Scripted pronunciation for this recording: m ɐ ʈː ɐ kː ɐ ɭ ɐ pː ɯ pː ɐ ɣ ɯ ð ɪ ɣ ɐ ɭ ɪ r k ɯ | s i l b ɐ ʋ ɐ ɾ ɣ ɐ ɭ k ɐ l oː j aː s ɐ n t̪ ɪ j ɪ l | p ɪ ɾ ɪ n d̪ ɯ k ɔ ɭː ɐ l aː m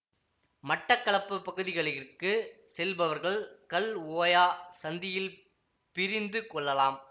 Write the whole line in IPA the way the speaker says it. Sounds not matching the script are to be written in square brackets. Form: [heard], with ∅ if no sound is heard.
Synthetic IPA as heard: m ɐ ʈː ɐ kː ɐ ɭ ɐ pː ɯ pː ɐ ɣ ɯ ð ɪ ɣ ɐ ɭ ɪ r k ɯ | s [ɛ] l b ɐ ʋ ɐ ɾ ɣ ɐ ɭ k ɐ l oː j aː s ɐ n [d̪] ɪ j ɪ l | p ɪ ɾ ɪ n d̪ ɯ k ɔ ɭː ɐ l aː m